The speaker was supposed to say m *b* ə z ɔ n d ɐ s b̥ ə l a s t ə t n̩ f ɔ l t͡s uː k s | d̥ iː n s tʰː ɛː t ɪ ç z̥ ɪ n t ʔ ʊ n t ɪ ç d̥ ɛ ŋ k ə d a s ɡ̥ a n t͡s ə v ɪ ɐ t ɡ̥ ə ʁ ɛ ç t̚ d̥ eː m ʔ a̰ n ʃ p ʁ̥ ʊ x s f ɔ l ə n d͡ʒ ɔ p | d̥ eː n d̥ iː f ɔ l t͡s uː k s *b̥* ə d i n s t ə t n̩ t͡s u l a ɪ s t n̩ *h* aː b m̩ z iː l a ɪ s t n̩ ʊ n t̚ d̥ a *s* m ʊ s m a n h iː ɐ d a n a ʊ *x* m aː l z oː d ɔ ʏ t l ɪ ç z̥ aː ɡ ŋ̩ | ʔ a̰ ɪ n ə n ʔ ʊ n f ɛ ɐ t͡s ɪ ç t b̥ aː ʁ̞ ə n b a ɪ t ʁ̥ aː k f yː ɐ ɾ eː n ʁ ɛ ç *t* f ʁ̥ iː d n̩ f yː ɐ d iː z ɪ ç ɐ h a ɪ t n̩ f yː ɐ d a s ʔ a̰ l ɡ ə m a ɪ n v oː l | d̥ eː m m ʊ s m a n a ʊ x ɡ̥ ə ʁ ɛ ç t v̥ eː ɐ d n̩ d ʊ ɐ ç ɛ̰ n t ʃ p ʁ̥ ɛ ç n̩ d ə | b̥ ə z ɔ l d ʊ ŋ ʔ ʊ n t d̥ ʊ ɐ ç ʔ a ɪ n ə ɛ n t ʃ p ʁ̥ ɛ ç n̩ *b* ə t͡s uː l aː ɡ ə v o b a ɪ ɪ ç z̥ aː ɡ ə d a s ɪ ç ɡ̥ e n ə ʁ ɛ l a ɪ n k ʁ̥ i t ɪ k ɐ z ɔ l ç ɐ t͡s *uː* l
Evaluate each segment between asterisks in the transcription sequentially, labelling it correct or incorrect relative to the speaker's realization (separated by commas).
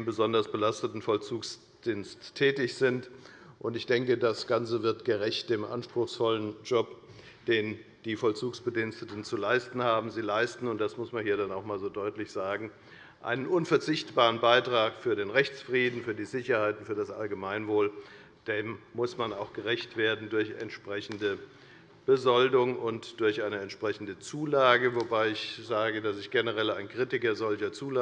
correct, correct, correct, correct, correct, incorrect, incorrect, correct